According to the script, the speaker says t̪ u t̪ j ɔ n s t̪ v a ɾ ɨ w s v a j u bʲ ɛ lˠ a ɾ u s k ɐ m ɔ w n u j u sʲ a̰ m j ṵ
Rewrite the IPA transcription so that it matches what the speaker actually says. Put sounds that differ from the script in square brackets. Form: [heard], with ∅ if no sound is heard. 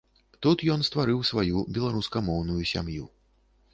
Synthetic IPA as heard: t̪ u t̪ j ɔ n s t̪ v a ɾ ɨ w s v a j u bʲ ɛ lˠ a ɾ u s k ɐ m ɔ w n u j u sʲ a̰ m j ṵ